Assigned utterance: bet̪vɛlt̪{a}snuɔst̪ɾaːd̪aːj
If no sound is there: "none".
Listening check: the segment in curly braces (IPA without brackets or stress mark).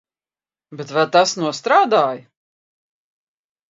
a